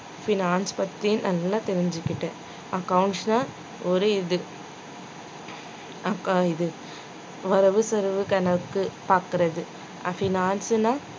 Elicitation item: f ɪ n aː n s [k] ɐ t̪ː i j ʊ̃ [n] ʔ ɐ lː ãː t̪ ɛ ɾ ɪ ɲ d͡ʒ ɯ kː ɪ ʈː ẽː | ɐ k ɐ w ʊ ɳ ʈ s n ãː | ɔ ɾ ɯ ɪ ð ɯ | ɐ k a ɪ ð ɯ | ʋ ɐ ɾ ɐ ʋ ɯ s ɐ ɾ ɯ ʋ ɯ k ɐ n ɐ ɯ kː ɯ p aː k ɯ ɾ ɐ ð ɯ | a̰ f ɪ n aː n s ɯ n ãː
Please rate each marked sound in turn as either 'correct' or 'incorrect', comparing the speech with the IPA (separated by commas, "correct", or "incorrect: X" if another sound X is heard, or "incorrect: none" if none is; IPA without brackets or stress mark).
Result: incorrect: p, correct